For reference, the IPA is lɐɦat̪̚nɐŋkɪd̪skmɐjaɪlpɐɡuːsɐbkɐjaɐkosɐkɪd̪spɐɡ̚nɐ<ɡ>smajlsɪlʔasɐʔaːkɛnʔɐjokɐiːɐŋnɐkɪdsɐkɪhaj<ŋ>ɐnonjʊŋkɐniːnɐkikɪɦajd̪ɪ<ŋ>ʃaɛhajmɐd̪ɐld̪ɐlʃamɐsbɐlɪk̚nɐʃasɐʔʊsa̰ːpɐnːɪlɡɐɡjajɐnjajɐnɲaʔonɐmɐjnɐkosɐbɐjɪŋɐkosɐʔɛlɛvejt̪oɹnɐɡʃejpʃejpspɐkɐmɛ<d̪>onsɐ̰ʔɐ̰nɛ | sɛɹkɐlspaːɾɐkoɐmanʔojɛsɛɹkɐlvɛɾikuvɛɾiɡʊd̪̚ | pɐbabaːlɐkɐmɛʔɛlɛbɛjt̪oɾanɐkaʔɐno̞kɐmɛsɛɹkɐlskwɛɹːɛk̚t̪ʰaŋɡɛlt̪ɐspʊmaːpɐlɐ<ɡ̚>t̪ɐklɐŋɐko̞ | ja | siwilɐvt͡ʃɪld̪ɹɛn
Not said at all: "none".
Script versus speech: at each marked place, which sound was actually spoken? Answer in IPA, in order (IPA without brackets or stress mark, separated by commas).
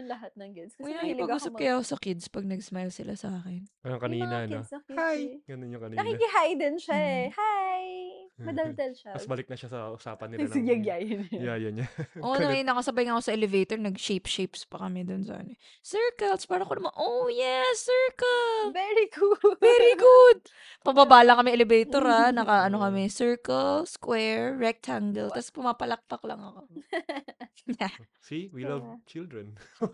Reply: ɡ, ɡ, n, d̪, k̚